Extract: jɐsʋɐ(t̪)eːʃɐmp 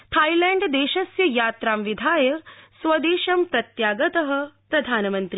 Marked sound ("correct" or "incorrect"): incorrect